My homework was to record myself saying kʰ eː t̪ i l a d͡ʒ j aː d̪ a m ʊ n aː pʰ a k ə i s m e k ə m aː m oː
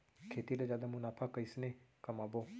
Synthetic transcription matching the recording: kʰ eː t̪ i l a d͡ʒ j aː d̪ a m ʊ n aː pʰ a k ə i s n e k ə m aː b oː